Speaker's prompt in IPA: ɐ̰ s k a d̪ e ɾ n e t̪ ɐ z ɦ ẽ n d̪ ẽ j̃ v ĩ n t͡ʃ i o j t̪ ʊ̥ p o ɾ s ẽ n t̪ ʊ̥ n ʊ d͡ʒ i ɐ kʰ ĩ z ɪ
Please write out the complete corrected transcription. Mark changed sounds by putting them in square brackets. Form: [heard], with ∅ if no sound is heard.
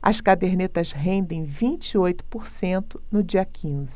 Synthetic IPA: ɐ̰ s k a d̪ e ɾ n e t̪ ɐ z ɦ ẽ n d̪ ẽ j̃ v ĩ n t͡ʃ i o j t̪ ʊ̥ p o ɾ s ẽ n t̪ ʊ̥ n ʊ d͡ʒ i ɐ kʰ ĩ z ɪ

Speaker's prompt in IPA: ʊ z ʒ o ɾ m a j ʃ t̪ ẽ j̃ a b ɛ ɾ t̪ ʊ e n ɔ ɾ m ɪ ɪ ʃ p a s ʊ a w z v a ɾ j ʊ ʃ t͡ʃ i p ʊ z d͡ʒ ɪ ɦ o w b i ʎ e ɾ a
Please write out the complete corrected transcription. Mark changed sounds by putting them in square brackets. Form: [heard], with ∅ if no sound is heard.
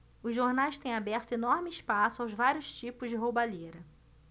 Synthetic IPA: ʊ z ʒ o ɾ [n] a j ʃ t̪ ẽ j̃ a b ɛ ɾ t̪ ʊ e n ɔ ɾ m ɪ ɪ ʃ p a s ʊ a w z v a ɾ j ʊ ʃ t͡ʃ i p ʊ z d͡ʒ ɪ ɦ o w b [a] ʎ e ɾ [ɐ]

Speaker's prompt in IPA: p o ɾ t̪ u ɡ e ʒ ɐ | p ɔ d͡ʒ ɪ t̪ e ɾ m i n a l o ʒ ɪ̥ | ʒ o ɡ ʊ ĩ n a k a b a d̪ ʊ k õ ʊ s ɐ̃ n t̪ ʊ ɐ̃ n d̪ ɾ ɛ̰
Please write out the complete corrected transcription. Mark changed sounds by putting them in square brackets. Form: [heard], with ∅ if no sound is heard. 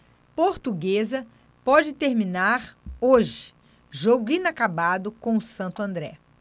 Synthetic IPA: p o ɾ t̪ u ɡ e [z] ɐ | p ɔ d͡ʒ ɪ t̪ e ɾ m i n a [ɾ] o ʒ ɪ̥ | ʒ o ɡ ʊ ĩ n a k a b a d̪ ʊ k õ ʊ s ɐ̃ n t̪ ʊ ɐ̃ n d̪ ɾ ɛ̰

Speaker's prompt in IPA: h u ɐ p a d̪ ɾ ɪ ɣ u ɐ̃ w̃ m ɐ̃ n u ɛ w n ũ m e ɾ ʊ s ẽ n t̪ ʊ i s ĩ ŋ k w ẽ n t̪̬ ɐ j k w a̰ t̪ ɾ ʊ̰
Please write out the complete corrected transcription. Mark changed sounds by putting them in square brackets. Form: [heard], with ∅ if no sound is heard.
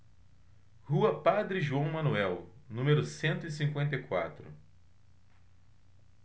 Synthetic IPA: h u ɐ p a d̪ ɾ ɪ [ʒ] u ɐ̃ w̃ m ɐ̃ n u ɛ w n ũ m e ɾ ʊ s ẽ n t̪ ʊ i s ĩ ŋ k w ẽ n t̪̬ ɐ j k w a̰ t̪ ɾ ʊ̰

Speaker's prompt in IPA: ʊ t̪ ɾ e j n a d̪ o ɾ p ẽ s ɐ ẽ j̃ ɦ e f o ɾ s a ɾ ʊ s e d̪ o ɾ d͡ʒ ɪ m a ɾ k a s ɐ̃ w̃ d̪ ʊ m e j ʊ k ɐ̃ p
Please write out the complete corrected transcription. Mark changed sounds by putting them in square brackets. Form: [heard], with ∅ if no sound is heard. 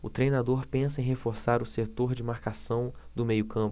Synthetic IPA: ʊ t̪ ɾ e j n a d̪ o ɾ p ẽ s ɐ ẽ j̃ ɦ e f o ɾ s a ɾ ʊ s e [t̪] o ɾ d͡ʒ ɪ m a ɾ k a s ɐ̃ w̃ d̪ ʊ m e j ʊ k ɐ̃ p

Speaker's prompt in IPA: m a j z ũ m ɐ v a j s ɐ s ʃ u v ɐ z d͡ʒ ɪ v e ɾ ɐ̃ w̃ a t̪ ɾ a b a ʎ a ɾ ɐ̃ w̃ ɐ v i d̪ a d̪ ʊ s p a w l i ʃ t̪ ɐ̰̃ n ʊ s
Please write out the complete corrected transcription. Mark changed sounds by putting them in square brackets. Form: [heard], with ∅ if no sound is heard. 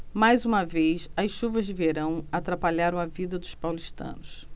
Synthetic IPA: m a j z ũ m ɐ v [e] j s ɐ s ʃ u v ɐ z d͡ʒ ɪ v e ɾ ɐ̃ w̃ a t̪ ɾ a [p] a ʎ a ɾ ɐ̃ w̃ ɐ v i d̪ [ɐ] d̪ ʊ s p a w l i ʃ t̪ ɐ̰̃ n ʊ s

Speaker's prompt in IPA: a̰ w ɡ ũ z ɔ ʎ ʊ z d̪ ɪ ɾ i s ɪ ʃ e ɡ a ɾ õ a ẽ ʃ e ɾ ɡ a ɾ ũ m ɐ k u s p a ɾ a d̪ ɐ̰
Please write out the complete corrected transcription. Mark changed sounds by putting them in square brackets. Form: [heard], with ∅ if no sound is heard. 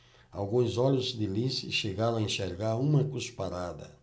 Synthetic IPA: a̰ w ɡ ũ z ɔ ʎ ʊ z d̪ ɪ [l] i s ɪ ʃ e ɡ a ɾ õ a ẽ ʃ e ɾ ɡ a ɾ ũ m ɐ k u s p a ɾ a d̪ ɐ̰

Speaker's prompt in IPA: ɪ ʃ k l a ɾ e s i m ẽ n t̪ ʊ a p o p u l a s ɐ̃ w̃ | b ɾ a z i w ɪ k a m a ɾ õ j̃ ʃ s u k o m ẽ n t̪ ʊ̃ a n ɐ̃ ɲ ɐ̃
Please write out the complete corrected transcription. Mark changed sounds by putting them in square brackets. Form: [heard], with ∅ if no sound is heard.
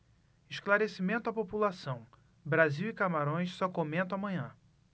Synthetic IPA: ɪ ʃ k l a ɾ e s i m ẽ n t̪ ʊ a p o p u l a s ɐ̃ w̃ | b ɾ a z i w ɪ k a m a ɾ õ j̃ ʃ s [ɔ] k o m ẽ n t̪ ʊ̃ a [m] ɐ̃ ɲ ɐ̃

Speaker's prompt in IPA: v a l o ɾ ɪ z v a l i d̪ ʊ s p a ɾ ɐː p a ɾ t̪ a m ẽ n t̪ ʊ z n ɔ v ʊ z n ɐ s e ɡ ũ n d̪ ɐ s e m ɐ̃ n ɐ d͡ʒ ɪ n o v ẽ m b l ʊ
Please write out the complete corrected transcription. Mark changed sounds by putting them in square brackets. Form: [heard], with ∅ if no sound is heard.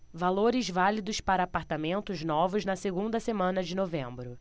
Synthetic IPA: v a l o ɾ ɪ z v a l i d̪ ʊ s p a ɾ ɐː p a ɾ t̪ a m ẽ n t̪ ʊ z n ɔ v ʊ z n ɐ s e ɡ ũ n d̪ ɐ s e m ɐ̃ n ɐ d͡ʒ ɪ n o v ẽ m b [ɾ] ʊ

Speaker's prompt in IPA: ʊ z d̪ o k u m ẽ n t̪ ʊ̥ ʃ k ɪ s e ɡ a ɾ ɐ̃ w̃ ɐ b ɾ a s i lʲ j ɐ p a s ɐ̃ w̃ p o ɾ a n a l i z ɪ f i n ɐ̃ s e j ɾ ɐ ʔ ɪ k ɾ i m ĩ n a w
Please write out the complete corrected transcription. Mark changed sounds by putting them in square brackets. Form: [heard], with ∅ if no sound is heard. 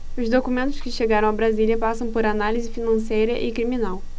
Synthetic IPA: ʊ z d̪ o k u m ẽ n t̪ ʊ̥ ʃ k ɪ [ʃ] e ɡ a ɾ ɐ̃ w̃ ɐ b ɾ a [z] i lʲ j ɐ p a s ɐ̃ w̃ p o ɾ a n a l i z ɪ f i n ɐ̃ s e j ɾ ɐ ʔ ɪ k ɾ i m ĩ n a w

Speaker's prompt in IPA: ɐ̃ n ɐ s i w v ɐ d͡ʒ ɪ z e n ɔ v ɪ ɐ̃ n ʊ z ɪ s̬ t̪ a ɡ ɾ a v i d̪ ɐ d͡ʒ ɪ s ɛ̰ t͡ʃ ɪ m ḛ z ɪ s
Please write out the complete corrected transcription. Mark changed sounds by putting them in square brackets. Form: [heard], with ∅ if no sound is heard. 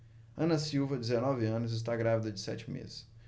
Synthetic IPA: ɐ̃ n ɐ s i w v ɐ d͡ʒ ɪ z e n ɔ v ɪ ɐ̃ n ʊ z ɪ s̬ t̪ a ɡ ɾ a v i d̪ ɐ d͡ʒ ɪ s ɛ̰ t͡ʃ ɪ m ḛ z ɪ s

